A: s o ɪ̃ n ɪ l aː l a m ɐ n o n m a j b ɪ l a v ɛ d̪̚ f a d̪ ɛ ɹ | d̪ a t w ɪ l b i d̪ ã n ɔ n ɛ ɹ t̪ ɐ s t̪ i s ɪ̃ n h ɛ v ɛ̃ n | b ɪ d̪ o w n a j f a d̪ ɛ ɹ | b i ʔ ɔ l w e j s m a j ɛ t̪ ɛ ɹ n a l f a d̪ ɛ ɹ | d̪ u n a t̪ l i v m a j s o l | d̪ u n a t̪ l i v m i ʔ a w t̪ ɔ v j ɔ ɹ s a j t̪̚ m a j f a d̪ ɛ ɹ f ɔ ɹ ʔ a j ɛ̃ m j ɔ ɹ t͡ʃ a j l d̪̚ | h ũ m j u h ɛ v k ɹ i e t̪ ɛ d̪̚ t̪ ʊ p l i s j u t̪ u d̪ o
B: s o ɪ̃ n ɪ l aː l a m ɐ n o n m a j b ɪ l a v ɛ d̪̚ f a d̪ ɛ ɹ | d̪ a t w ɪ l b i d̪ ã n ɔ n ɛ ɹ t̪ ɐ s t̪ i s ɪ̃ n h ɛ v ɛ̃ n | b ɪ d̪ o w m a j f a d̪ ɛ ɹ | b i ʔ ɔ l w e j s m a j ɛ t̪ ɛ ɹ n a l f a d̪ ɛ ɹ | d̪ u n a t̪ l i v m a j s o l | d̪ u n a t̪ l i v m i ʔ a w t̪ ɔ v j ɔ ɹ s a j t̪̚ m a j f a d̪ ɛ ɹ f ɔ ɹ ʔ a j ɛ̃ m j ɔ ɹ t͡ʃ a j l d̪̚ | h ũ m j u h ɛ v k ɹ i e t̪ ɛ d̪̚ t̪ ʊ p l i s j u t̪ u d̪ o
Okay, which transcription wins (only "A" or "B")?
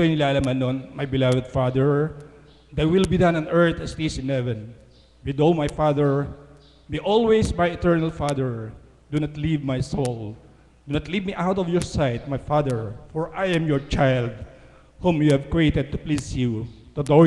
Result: B